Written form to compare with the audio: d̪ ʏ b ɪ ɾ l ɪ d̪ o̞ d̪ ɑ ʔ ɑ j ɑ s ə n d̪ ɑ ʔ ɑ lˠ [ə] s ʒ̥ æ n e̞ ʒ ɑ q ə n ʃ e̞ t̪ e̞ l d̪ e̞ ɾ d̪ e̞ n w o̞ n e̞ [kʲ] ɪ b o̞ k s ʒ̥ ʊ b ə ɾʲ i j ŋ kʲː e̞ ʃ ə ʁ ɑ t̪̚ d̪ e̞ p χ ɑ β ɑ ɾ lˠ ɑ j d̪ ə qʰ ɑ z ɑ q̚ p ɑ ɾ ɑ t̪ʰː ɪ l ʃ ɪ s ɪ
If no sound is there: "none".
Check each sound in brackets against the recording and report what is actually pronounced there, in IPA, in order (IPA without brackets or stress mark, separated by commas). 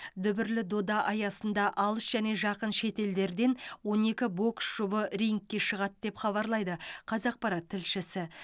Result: ə, kʲ